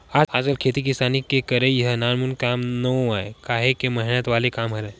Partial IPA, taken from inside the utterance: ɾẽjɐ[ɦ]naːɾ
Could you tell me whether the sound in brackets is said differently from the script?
no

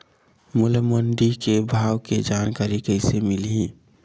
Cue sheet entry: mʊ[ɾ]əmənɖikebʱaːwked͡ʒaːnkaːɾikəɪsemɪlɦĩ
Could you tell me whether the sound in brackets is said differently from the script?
yes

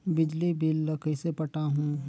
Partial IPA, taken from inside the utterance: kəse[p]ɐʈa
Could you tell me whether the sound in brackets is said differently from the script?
no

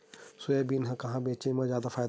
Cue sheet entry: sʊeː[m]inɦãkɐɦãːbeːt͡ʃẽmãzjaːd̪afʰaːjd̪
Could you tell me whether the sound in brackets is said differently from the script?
yes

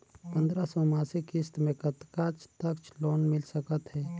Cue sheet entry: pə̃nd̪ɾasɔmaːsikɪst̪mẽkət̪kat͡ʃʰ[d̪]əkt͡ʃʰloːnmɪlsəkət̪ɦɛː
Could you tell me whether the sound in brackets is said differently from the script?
yes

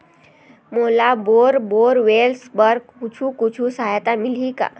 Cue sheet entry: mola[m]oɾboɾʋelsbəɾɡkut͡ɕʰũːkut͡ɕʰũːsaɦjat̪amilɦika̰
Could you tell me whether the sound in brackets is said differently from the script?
yes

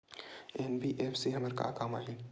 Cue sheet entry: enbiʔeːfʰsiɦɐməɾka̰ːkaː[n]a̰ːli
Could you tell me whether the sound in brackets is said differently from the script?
yes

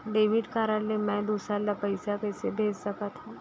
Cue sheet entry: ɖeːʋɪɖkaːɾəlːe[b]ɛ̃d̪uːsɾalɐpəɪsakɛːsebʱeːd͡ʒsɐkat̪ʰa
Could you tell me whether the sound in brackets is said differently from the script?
yes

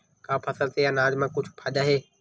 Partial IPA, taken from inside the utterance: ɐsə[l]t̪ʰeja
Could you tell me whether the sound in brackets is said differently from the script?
no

